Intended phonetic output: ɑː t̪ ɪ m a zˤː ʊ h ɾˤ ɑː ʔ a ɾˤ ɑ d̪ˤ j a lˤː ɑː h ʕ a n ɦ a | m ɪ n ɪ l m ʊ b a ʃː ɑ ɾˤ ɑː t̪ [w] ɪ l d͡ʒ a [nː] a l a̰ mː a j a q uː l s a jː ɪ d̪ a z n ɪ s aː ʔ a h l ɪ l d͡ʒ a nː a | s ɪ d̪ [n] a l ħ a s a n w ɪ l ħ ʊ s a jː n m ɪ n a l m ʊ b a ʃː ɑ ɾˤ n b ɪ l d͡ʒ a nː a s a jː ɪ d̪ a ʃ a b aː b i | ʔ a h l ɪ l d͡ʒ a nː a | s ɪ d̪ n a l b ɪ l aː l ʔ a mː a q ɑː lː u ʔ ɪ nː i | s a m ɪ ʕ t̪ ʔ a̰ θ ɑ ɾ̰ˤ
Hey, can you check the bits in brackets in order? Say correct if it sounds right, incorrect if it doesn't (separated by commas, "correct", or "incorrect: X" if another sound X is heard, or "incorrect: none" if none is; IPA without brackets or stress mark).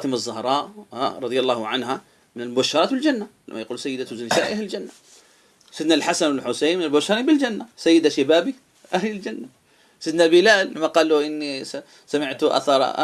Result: incorrect: b, correct, correct